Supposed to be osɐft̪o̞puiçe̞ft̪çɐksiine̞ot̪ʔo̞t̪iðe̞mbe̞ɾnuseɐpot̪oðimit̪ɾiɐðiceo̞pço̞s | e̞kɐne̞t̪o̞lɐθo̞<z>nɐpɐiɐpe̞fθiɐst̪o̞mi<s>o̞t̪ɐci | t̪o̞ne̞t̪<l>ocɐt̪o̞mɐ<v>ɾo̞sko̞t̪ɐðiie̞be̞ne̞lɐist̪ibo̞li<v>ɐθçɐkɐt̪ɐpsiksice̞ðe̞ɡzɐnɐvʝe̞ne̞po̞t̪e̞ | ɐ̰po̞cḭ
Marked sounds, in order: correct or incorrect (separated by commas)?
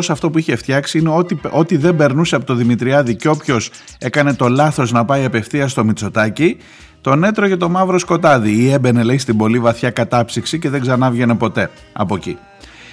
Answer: correct, incorrect, incorrect, correct, correct